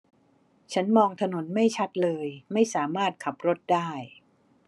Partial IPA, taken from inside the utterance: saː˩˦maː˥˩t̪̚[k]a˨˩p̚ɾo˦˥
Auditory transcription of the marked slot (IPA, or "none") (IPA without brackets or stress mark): kʰ